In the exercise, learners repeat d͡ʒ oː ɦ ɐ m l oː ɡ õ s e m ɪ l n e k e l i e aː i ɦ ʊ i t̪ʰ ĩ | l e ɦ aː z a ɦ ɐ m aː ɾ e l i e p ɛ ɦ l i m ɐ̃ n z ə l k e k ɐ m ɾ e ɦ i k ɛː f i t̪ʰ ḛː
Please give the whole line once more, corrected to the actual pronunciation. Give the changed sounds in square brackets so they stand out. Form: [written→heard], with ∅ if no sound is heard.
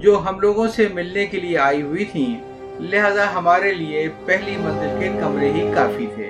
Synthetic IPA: d͡ʒ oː ɦ ɐ m l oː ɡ õ s e m ɪ l n e k e l i e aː i ɦ ʊ i t̪ʰ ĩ | l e ɦ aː z a ɦ ɐ m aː ɾ e l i e p ɛ ɦ l i m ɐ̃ n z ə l k e k ɐ m ɾ e ɦ i k [ɛː→aː] f i t̪ʰ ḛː